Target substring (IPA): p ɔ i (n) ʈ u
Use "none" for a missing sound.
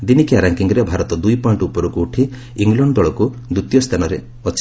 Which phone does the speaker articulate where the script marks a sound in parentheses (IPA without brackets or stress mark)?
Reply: ɳ